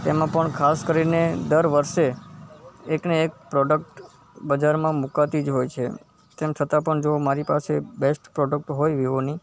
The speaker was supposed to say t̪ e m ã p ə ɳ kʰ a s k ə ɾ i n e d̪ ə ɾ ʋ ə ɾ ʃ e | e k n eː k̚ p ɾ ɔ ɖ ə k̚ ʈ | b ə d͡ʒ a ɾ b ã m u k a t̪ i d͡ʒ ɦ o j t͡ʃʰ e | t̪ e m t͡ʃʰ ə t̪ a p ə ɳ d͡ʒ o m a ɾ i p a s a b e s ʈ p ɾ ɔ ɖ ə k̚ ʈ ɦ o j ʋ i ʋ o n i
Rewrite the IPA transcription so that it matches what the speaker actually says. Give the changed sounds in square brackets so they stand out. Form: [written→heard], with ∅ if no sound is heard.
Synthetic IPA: t̪ e m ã p ə ɳ kʰ a s k ə ɾ i n e d̪ ə ɾ ʋ ə ɾ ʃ e | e k n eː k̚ p ɾ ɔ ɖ ə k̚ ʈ | b ə d͡ʒ a ɾ [b→m] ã m u k a t̪ i d͡ʒ ɦ o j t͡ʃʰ e | t̪ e m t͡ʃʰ ə t̪ a p ə ɳ d͡ʒ o m a ɾ i p a s [a→e] b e s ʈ p ɾ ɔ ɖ ə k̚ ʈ ɦ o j ʋ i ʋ o n i